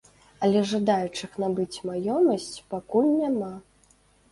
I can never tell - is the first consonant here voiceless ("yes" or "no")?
no